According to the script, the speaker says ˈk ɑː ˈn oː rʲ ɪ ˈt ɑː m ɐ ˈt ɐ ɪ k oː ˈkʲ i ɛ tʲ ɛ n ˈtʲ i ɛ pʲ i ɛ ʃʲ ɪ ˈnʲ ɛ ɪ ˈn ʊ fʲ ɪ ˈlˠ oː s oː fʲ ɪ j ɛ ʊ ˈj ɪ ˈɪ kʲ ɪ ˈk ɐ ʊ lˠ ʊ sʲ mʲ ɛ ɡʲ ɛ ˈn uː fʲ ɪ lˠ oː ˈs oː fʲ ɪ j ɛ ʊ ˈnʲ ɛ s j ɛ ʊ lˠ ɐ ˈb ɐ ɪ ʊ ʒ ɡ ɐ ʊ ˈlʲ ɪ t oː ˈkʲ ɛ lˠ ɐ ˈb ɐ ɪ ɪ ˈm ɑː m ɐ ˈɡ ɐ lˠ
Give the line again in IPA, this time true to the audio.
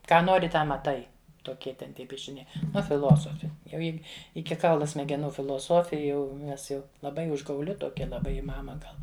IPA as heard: ˈk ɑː ˈn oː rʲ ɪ ˈt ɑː m ɐ ˈt ɐ ɪ t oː ˈkʲ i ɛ tʲ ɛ n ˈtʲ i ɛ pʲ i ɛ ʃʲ ɪ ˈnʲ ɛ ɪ ˈn ʊ fʲ ɪ ˈlˠ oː s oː fʲ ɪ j ɛ ʊ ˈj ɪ ˈɪ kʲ ɪ ˈk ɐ ʊ lˠ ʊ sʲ mʲ ɛ ɡʲ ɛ ˈn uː fʲ ɪ lˠ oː ˈs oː fʲ ɪ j ɛ ʊ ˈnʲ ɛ s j ɛ ʊ lˠ ɐ ˈb ɐ ɪ ʊ ʒ ɡ ɐ ʊ ˈlʲ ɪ t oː ˈkʲ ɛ lˠ ɐ ˈb ɐ ɪ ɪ ˈm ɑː m ɐ ˈɡ ɐ lˠ